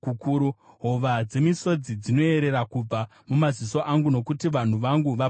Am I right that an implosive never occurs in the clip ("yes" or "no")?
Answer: yes